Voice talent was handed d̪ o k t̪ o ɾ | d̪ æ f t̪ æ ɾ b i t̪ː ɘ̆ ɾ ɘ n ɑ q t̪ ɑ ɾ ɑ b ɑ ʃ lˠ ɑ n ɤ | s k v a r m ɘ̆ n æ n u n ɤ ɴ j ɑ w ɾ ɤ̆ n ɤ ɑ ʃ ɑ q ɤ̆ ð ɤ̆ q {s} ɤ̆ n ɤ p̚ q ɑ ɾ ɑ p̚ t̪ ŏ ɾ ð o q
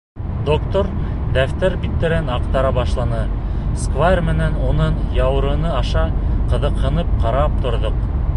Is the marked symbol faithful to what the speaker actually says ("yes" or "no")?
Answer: no